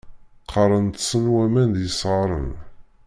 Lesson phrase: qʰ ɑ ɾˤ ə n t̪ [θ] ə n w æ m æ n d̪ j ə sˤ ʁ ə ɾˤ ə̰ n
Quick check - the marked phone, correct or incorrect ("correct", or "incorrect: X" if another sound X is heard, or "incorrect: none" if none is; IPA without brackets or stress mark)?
incorrect: s